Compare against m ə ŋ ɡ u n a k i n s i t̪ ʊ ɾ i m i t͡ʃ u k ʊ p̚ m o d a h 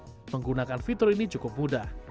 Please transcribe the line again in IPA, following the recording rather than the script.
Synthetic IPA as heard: m ə ŋ ɡ u n a k a n f i t̪ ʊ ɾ i n i t͡ʃ u k ʊ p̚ m u d a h